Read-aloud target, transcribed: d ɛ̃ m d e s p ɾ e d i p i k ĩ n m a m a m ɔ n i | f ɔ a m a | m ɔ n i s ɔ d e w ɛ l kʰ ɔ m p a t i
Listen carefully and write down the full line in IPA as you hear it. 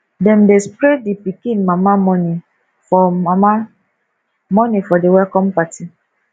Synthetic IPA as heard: d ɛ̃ m d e s p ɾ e d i p i k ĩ n m a m a m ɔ n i | f ɔ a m a | m ɔ n i f ɔ d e w ɛ l k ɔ m p a t i